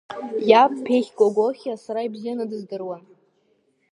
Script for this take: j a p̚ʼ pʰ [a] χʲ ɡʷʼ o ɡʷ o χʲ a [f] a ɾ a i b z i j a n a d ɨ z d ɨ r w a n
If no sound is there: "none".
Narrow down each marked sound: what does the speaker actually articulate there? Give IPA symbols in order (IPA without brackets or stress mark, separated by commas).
e, s